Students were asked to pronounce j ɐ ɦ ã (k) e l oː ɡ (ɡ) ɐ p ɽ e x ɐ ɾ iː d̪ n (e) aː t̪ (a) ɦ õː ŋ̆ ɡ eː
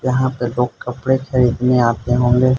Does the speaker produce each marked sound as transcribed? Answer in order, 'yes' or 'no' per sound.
no, no, yes, no

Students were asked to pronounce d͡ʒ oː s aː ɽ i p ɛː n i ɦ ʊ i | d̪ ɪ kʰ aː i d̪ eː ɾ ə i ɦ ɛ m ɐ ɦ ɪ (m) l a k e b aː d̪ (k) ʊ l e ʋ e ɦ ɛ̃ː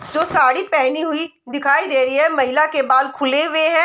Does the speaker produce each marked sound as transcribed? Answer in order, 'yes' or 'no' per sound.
no, no

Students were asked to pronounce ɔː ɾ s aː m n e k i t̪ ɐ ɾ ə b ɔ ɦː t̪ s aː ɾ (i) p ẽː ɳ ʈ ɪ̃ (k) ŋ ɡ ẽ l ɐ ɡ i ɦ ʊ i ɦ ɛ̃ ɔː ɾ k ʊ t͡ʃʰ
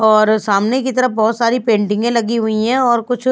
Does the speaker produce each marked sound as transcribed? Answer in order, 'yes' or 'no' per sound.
yes, no

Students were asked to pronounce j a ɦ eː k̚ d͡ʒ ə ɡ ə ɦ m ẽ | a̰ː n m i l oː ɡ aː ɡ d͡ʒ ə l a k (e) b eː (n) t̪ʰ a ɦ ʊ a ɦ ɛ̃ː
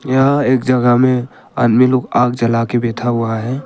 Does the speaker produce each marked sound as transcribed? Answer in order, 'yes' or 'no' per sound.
yes, no

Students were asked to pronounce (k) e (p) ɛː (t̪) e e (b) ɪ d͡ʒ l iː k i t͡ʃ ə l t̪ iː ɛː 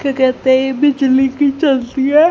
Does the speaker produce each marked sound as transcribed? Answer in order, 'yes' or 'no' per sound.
yes, no, yes, yes

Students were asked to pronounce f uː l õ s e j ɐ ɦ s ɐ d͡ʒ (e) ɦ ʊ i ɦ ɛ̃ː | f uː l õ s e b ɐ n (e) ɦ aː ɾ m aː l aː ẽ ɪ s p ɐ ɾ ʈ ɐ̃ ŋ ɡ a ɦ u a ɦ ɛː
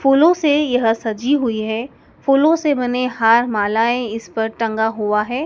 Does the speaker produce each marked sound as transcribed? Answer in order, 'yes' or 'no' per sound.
no, yes

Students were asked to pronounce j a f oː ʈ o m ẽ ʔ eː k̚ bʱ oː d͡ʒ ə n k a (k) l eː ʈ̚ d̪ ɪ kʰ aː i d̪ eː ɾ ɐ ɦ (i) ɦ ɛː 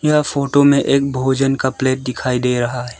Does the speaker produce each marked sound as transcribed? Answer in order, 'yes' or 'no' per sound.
no, no

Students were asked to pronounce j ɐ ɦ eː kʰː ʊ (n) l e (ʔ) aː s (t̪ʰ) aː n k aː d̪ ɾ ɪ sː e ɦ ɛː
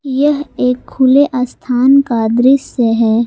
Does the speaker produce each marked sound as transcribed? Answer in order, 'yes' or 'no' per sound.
no, yes, yes

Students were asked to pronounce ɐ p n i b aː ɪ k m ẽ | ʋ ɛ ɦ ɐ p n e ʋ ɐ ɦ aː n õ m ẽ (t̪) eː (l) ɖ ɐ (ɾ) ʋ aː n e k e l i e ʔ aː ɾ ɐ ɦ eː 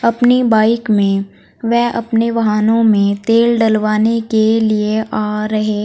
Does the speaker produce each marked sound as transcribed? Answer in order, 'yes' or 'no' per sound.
yes, yes, no

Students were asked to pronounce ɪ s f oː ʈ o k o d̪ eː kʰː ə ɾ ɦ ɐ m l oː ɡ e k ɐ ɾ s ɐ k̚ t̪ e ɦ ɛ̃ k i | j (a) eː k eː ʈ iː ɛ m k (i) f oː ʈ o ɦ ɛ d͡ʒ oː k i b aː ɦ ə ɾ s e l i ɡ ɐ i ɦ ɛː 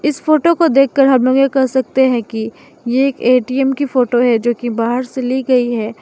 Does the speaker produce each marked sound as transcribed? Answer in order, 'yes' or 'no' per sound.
no, yes

